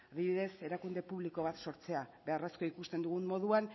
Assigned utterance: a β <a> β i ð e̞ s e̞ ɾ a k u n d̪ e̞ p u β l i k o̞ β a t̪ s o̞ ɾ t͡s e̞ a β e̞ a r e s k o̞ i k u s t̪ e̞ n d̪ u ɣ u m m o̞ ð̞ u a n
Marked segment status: incorrect: i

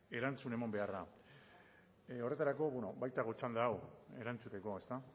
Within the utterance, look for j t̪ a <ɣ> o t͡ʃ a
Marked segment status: correct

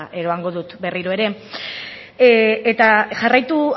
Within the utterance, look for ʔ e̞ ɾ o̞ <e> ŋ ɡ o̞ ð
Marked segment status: incorrect: a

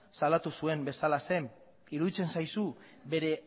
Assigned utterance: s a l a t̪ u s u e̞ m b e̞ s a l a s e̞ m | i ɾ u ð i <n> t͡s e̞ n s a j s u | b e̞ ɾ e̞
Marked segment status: incorrect: none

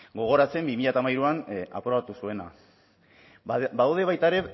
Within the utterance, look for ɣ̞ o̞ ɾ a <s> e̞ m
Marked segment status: incorrect: t͡s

